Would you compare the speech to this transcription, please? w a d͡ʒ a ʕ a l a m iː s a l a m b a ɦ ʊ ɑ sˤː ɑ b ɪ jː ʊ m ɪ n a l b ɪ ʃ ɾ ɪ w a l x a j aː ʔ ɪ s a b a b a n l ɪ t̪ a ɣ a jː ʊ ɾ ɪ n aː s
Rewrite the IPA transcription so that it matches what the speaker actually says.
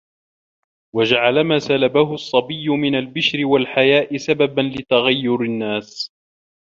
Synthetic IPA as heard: w a d͡ʒ a ʕ a l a m aː s a l a b a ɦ ʊ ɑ sˤː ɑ b ɪ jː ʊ m ɪ n a l b ɪ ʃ ɾ ɪ w a l ħ a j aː ʔ ɪ s a b a b a n l ɪ t̪ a ɣ a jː ʊ ɾ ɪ nː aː s